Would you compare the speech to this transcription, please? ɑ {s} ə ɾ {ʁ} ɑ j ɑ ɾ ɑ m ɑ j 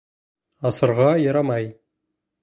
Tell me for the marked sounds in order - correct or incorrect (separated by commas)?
correct, correct